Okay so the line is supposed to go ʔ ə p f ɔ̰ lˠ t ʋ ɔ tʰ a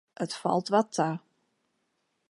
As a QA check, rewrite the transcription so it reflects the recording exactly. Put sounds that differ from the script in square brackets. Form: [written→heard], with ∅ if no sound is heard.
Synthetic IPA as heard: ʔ ə [p→t] f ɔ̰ lˠ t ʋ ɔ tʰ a

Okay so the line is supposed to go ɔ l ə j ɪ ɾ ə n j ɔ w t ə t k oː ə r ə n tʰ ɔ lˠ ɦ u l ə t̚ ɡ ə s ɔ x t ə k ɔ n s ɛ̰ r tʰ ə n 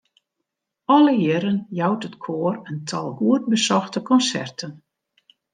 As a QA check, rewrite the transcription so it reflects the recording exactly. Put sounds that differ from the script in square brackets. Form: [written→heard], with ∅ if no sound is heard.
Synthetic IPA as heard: ɔ l ə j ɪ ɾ ə n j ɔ w t ə t [k→kʰ] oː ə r ə n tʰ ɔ lˠ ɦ u [l→∅] ə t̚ [ɡ→b] ə s ɔ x t ə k ɔ n s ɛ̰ r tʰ ə n

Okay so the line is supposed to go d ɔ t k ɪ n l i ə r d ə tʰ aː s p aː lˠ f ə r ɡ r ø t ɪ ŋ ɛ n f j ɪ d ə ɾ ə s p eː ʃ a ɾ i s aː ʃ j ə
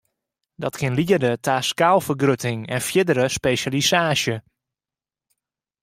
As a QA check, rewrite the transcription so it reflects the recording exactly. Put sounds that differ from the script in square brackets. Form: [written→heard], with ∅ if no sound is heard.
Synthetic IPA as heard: d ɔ t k ɪ n l i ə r d ə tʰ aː s [p→k] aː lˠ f ə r ɡ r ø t ɪ ŋ ɛ n f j ɪ d ə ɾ ə s p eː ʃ a [ɾ→l] i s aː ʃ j ə

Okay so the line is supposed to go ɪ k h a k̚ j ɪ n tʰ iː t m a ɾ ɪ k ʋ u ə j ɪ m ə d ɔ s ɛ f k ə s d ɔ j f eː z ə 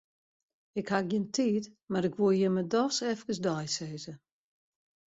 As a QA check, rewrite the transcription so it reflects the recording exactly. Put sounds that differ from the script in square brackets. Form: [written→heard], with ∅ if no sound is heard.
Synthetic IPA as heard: ɪ k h a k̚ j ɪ n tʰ iː t m a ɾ ɪ k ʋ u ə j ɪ m ə d ɔ s ɛ f k ə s d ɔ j [f→s] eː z ə

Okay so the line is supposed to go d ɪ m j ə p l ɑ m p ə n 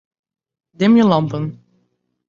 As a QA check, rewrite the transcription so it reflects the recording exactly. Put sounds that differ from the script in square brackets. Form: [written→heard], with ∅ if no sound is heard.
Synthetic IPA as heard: d ɪ m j ə [p→∅] l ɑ m p ə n

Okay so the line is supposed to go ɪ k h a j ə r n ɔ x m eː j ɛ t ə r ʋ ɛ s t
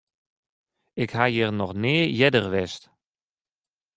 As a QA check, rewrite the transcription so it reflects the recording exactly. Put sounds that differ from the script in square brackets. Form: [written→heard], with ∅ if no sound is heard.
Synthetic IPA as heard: ɪ k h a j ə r n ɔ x [m→n] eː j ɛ [t→d] ə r ʋ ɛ s t

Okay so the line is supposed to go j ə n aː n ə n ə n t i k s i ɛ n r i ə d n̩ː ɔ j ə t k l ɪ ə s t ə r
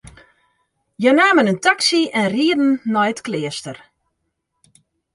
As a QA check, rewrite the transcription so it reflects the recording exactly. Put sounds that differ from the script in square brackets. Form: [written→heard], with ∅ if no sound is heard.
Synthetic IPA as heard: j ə n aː [n→m] ə n ə n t [i→a] k s i ɛ n r i ə d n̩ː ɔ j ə t k l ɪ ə s t ə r

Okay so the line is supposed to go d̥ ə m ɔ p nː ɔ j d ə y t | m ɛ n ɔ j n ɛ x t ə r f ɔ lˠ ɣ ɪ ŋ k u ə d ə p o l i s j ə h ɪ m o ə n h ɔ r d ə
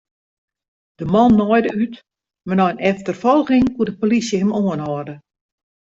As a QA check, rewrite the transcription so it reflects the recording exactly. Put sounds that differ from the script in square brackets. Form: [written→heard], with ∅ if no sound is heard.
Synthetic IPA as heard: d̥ ə m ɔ [p→∅] nː ɔ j d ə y t | m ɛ n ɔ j n ɛ [x→f] t ə r f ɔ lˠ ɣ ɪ ŋ k u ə d ə p o l i s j ə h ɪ m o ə n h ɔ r d ə

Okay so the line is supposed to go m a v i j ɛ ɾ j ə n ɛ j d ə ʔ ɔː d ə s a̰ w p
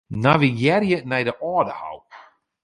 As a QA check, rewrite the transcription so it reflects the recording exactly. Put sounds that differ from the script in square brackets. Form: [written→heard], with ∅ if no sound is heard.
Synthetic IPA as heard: [m→n] a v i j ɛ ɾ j ə n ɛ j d ə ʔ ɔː d ə [s→h] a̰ w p

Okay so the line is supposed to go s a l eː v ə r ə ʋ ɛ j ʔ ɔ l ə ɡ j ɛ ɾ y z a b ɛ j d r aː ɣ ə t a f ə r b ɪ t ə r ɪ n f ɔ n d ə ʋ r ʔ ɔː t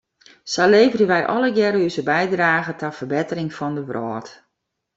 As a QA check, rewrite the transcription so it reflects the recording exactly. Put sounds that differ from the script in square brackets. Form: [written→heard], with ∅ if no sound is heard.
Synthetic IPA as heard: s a l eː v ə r ə ʋ ɛ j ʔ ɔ l ə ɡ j ɛ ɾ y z [a→ə] b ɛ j d r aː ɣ ə t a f ə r b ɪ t ə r ɪ [n→ŋ] f ɔ n d ə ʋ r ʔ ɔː t

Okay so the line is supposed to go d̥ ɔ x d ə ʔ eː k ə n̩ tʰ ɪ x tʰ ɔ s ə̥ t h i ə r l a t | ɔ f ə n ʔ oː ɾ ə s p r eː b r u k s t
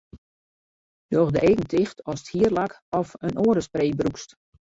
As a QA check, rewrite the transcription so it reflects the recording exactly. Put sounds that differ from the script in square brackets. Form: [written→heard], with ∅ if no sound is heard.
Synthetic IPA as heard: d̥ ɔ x d ə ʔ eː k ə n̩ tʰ ɪ x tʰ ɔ s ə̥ t h i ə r l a [t→k] | ɔ f ə n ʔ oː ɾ ə s p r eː b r u k s t

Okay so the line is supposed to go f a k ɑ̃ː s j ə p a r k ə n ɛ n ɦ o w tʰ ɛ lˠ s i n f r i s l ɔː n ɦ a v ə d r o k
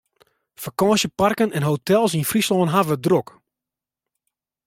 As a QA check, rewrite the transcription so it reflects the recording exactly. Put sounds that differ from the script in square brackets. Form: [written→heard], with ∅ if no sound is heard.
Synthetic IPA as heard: f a k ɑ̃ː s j ə p a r k ə n ɛ n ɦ o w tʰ ɛ lˠ s i n f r i s l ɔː n ɦ a v ə d r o k

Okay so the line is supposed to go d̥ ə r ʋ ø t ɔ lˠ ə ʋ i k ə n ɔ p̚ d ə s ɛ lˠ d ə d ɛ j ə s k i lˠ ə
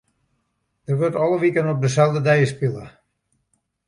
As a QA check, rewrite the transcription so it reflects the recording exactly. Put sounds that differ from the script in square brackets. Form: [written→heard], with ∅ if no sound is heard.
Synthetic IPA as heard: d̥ ə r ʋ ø t ɔ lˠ ə ʋ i k ə n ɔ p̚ d ə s ɛ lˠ d ə d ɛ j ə s [k→p] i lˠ ə

